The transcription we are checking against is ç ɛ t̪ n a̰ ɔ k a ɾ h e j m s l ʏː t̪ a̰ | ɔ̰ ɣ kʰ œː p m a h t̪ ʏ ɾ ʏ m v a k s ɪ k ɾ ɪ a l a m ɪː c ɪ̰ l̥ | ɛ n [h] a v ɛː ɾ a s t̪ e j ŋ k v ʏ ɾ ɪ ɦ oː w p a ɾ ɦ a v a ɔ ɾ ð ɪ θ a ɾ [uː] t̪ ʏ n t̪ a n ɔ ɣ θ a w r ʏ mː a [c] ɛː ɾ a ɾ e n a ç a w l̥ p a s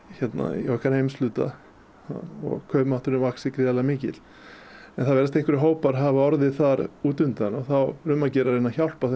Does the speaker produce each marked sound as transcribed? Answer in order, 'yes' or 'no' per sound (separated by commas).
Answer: no, yes, yes